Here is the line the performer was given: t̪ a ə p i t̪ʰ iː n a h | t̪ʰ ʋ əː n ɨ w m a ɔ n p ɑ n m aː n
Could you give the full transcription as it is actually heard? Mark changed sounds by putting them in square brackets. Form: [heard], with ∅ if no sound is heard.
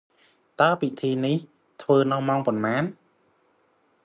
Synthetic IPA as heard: t̪ a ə p i t̪ʰ iː n [i] h | t̪ʰ ʋ əː n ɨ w m a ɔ [ŋ] p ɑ n m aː n